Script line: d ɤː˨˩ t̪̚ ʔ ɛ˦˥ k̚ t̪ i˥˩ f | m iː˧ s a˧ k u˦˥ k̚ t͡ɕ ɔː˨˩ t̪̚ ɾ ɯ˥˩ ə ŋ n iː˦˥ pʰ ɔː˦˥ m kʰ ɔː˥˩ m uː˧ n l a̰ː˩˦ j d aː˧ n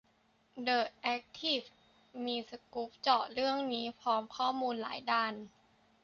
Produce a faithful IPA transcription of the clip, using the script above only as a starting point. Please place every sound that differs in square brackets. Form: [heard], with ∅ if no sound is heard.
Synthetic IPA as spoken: d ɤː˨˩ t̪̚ ʔ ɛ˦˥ k̚ [t̪ʰ] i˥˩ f | m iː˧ s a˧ k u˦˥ [p̚] t͡ɕ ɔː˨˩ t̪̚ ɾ ɯ˥˩ ə ŋ n iː˦˥ pʰ ɔː˦˥ m kʰ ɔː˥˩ m uː˧ n l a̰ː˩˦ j d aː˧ n